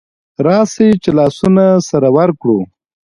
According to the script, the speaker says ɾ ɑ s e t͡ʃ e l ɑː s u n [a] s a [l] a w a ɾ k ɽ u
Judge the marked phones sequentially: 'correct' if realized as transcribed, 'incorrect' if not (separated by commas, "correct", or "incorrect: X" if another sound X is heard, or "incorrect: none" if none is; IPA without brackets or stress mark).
correct, incorrect: ɾ